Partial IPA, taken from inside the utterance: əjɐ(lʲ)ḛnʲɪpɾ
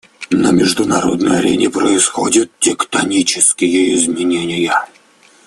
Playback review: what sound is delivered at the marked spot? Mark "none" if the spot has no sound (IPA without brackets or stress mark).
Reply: ɾʲ